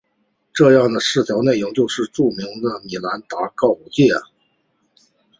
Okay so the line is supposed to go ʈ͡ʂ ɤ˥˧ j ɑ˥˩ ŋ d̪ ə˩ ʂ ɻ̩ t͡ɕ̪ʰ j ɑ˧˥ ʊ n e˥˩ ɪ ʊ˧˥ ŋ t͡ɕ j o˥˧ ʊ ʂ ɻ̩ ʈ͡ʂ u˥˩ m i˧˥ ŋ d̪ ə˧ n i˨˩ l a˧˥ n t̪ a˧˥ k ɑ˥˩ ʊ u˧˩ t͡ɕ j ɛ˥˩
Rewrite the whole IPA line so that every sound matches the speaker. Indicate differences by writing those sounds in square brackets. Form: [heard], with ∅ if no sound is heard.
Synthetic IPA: ʈ͡ʂ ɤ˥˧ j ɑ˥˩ ŋ d̪ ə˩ ʂ ɻ̩ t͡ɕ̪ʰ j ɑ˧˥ ʊ n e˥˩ ɪ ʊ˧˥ ŋ t͡ɕ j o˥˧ ʊ ʂ ɻ̩ ʈ͡ʂ u˥˩ m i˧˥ ŋ d̪ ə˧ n i˨˩ l a˧˥ n t̪ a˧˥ k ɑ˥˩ ʊ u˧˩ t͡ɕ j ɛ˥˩